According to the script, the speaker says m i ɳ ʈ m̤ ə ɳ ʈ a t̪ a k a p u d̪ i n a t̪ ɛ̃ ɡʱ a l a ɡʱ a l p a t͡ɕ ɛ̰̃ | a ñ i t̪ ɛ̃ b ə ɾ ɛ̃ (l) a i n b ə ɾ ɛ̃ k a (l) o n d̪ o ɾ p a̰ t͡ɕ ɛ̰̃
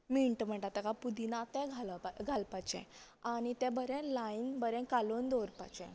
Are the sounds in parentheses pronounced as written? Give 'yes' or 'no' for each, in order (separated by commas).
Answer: yes, yes